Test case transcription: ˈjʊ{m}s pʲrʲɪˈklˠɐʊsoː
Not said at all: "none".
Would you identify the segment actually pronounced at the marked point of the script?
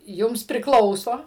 m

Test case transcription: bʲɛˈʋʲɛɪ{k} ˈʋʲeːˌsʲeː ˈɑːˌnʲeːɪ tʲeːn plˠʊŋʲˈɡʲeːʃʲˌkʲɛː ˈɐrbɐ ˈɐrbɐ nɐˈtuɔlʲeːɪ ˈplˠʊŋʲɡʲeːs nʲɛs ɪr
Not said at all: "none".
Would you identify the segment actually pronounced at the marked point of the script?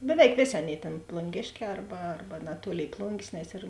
k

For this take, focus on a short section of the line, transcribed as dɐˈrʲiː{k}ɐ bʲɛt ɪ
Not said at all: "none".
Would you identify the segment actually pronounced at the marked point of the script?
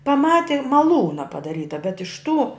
t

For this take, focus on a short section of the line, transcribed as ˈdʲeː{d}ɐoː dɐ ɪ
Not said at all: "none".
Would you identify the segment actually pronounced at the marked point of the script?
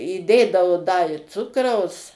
d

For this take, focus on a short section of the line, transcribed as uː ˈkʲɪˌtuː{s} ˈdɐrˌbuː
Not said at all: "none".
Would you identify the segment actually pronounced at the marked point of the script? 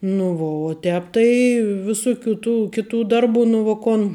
none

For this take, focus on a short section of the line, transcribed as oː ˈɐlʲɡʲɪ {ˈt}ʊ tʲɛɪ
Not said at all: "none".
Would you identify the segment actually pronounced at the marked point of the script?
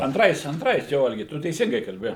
t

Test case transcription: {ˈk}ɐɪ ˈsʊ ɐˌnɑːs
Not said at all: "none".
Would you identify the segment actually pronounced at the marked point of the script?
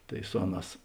t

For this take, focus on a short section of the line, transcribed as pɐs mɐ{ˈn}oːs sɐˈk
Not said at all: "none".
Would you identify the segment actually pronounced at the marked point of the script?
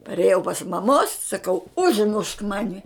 m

